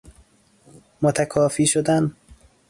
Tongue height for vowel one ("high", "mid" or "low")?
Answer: mid